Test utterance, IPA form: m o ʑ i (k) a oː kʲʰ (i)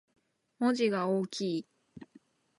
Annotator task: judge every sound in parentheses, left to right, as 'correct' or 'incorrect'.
incorrect: ɡ, incorrect: iː

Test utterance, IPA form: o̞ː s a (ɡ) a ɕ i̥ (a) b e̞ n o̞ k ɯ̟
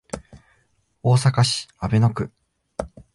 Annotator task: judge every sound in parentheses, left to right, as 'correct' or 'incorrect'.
incorrect: k, correct

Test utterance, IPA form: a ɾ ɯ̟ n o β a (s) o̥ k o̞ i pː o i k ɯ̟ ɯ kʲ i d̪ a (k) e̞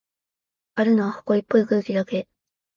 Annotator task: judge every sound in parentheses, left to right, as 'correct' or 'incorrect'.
incorrect: h, correct

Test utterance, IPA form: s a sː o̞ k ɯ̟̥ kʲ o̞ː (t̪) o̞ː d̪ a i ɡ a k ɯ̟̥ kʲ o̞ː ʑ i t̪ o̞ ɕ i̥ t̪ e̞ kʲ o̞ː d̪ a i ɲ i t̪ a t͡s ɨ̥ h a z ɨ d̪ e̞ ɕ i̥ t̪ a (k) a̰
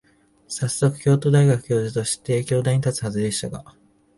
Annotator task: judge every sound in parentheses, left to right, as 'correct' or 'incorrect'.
correct, incorrect: ɡ

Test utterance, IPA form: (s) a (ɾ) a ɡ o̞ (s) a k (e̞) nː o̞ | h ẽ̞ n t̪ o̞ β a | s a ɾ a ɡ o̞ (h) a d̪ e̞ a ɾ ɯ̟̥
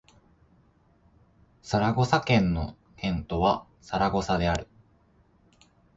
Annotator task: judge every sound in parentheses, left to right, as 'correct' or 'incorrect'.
correct, correct, correct, incorrect: ẽ̞, incorrect: s

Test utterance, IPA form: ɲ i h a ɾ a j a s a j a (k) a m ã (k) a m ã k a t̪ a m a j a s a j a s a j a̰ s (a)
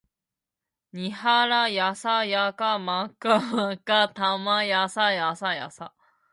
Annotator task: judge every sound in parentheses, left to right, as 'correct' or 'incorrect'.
correct, correct, correct

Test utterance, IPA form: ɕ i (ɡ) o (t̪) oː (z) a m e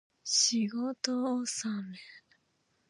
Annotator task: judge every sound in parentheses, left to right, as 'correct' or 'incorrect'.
correct, correct, incorrect: s

